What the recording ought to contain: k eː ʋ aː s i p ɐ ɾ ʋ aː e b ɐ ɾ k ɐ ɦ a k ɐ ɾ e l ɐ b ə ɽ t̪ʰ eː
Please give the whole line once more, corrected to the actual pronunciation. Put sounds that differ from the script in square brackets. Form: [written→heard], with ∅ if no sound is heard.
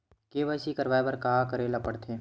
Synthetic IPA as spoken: k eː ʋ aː s i [p→k] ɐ ɾ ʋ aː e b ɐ ɾ k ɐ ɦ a k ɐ ɾ e l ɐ [b→p] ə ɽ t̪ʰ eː